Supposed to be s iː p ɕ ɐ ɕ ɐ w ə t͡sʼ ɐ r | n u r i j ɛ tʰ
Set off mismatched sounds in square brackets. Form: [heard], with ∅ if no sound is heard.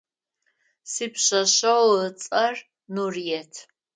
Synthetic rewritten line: s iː p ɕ ɐ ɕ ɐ w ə t͡sʼ ɐ r | n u r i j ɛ tʰ